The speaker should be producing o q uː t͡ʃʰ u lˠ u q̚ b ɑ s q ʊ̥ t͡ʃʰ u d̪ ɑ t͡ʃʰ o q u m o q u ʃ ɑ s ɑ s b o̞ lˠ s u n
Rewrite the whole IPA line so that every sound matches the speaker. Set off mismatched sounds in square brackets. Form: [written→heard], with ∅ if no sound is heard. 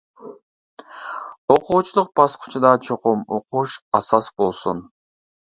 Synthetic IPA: o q uː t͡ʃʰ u lˠ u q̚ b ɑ s q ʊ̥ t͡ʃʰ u d̪ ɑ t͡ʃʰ o q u m o q u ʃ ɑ s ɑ s b o̞ lˠ s u n